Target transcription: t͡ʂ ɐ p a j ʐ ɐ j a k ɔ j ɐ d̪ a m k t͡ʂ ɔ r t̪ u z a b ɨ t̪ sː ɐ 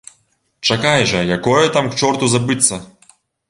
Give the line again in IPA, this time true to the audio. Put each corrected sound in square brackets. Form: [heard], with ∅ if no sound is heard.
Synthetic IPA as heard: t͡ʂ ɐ [k] a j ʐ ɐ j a k ɔ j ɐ [t̪] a m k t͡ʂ ɔ r t̪ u z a b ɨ t̪ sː ɐ